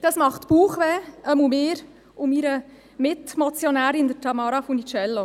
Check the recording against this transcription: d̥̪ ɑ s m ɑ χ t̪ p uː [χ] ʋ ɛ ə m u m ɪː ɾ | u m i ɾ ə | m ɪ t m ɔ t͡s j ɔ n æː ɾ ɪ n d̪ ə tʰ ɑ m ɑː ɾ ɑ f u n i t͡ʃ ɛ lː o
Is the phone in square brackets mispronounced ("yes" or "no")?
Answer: no